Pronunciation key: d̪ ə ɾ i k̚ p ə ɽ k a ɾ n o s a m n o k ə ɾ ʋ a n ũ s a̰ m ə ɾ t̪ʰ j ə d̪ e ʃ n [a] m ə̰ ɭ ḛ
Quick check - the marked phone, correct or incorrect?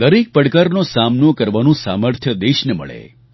incorrect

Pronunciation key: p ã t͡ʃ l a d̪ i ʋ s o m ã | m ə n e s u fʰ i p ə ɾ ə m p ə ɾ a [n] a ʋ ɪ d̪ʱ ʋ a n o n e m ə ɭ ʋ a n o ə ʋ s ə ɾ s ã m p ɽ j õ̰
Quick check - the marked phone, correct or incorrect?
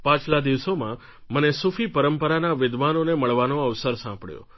correct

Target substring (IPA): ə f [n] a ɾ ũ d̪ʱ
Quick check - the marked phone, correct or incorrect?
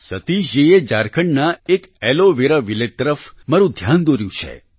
incorrect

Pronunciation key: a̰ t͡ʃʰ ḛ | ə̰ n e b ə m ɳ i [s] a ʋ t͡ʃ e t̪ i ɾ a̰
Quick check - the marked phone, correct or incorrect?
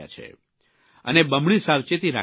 correct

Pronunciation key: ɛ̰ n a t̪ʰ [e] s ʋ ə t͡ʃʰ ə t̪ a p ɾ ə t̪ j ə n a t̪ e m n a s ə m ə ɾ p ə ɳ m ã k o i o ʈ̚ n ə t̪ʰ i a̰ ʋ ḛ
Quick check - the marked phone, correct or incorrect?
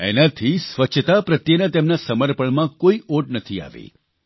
incorrect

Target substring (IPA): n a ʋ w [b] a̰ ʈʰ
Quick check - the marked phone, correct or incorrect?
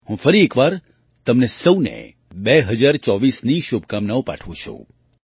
incorrect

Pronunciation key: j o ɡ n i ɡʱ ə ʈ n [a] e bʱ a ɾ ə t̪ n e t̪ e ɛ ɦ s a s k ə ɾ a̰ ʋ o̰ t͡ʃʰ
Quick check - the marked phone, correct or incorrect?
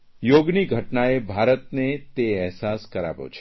correct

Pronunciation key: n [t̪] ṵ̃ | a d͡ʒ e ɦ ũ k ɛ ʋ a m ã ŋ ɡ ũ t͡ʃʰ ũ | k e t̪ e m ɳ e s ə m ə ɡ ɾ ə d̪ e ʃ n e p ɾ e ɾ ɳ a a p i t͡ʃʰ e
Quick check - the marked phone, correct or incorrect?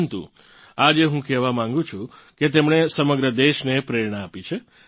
correct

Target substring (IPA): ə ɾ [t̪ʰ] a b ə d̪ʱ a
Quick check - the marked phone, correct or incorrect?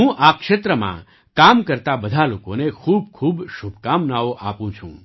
incorrect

